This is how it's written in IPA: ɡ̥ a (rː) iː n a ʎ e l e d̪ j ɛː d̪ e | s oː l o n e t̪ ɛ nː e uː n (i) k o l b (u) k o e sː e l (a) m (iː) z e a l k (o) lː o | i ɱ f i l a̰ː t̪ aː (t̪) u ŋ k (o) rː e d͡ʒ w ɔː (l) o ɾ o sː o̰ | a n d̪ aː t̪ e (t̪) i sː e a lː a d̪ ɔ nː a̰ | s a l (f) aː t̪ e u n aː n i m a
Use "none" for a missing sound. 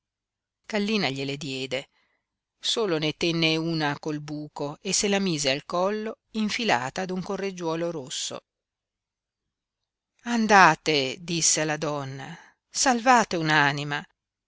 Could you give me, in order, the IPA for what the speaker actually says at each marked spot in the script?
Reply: lː, a, uː, a, iː, ɔ, d̪, o, l, d̪, v

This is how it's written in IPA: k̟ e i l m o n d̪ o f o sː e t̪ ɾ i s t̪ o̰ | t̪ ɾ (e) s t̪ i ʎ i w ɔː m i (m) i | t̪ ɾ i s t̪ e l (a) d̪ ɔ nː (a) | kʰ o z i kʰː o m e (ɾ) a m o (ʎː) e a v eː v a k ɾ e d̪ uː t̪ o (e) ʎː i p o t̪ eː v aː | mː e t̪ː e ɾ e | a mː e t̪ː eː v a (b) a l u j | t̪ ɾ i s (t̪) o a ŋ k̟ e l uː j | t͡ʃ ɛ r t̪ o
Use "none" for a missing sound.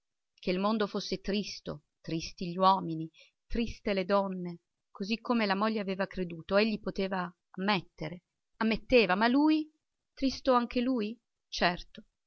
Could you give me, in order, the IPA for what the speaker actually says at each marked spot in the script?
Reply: i, n, e, e, l, ʎː, e, m, t̪

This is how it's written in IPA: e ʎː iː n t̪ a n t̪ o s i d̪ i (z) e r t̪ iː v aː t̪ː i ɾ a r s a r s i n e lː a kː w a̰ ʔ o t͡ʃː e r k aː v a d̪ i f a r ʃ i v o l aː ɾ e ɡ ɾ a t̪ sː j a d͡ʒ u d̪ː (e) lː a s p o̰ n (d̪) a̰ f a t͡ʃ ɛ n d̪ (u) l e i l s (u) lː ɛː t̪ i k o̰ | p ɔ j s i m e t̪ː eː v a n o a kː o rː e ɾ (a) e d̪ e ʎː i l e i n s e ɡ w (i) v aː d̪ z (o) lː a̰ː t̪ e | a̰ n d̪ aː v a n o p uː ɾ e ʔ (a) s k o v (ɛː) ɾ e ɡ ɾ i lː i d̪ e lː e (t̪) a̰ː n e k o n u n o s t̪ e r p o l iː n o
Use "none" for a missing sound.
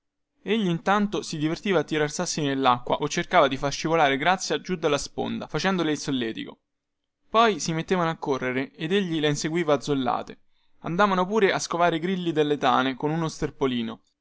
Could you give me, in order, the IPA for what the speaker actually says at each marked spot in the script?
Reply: v, a, d̪, o, o, e, iː, o, a, aː, t̪

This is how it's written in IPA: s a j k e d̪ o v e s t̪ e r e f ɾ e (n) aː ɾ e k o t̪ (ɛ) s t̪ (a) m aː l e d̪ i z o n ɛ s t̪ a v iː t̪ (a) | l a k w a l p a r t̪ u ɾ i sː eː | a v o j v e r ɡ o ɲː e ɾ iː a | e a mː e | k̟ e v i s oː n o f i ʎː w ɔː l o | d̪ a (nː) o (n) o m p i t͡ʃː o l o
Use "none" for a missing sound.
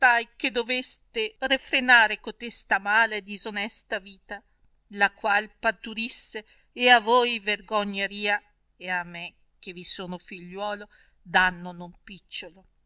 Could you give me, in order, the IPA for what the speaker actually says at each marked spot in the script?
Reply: n, e, a, a, nː, n

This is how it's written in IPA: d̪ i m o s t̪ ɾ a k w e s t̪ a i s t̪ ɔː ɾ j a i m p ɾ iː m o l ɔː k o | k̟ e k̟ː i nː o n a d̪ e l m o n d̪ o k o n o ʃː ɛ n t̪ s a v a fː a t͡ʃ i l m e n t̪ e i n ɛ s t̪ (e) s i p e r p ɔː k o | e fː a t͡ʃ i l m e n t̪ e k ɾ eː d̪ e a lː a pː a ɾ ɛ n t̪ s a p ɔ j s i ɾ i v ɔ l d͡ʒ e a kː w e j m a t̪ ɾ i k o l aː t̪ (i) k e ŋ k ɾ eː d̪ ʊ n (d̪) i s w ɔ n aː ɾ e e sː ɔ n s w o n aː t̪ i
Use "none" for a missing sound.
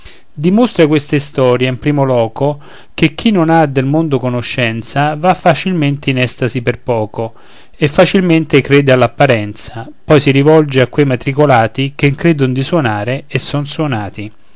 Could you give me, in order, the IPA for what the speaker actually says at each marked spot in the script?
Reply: a, i, d̪

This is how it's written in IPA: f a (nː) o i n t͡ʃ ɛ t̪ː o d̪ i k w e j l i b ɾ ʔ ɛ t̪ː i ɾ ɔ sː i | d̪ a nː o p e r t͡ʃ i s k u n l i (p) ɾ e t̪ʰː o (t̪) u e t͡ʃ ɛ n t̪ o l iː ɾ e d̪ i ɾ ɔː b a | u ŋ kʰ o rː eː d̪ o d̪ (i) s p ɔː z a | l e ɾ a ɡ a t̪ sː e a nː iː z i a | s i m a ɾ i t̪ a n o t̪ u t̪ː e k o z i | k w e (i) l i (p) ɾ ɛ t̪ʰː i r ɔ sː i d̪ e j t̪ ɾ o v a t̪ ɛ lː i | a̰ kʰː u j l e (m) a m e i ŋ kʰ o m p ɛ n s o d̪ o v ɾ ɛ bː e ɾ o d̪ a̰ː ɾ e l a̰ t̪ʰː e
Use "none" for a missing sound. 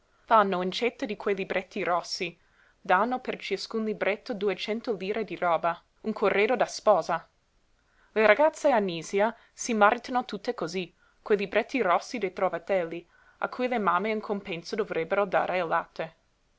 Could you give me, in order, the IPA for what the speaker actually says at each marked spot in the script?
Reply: nː, b, d̪, a, j, b, m

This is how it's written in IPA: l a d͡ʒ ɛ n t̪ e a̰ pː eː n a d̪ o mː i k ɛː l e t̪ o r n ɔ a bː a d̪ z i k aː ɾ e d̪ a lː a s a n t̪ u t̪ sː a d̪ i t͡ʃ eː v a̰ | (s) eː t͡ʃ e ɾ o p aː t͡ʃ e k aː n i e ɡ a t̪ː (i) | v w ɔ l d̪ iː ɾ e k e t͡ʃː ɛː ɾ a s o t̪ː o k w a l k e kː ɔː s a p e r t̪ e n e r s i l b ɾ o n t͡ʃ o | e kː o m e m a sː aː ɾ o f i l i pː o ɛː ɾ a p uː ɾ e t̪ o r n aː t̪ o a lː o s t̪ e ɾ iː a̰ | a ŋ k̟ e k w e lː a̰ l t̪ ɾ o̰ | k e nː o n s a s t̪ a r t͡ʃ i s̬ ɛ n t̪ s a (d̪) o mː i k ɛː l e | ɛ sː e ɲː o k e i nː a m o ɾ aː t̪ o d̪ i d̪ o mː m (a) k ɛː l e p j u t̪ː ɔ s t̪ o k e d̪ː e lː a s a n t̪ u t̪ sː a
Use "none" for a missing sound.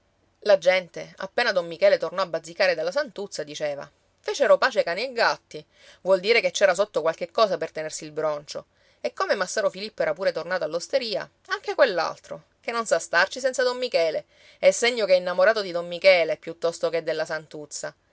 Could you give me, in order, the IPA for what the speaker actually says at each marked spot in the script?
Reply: f, i, d̪, i

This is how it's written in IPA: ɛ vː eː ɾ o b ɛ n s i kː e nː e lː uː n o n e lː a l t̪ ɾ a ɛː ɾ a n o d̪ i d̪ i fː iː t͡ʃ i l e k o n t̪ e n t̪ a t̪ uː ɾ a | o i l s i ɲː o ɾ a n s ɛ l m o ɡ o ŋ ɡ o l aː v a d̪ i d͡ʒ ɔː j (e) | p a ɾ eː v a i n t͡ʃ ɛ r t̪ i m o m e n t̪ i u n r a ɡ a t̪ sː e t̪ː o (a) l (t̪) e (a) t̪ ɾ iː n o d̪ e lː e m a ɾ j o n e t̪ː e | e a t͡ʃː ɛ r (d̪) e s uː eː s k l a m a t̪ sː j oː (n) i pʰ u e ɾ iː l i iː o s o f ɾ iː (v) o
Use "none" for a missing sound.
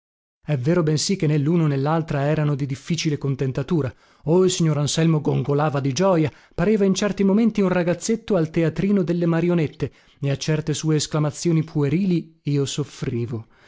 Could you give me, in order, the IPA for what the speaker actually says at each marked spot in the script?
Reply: a, a, t̪, a, t̪, n, v

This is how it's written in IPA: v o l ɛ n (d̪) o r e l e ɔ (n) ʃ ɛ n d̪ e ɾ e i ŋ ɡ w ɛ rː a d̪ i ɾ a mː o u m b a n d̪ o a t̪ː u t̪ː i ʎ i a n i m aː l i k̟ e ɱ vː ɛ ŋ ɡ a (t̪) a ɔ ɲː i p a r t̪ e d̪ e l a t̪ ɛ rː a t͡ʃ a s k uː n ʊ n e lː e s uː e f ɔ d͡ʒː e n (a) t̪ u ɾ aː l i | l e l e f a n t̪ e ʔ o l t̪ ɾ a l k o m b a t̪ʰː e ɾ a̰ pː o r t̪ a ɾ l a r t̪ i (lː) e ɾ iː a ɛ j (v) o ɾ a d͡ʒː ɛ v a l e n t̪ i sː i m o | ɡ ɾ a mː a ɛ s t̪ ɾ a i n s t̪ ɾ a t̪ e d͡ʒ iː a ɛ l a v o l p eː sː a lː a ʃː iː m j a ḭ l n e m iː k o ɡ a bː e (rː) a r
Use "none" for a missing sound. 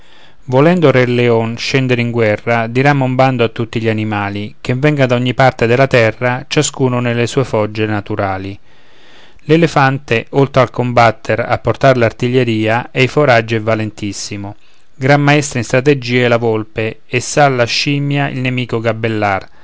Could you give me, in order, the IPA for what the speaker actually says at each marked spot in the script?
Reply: d̪, n, d̪, a, ʎː, f, lː

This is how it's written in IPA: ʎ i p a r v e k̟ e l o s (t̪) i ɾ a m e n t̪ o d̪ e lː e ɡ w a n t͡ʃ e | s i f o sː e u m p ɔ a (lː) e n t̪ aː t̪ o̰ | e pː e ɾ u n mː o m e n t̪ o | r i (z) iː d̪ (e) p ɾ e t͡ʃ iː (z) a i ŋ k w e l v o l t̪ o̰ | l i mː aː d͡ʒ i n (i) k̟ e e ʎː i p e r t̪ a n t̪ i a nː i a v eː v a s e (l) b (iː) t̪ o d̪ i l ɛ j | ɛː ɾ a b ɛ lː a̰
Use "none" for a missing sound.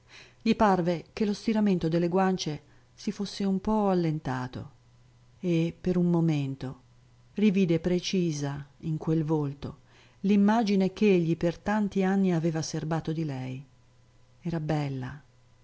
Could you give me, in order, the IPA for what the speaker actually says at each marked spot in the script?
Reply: t̪, lː, v, e, z, e, r, aː

